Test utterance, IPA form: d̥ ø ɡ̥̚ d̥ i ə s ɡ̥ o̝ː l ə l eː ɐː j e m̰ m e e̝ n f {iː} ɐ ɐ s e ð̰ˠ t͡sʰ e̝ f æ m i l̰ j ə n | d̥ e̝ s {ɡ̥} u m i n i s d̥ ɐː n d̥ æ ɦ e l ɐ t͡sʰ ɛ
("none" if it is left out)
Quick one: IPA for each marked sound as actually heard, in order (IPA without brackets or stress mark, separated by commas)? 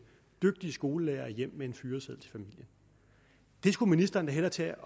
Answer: yː, ɡ̥